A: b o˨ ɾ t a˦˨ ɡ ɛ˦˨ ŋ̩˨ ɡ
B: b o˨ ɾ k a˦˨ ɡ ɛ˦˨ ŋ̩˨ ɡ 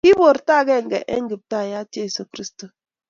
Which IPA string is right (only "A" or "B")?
A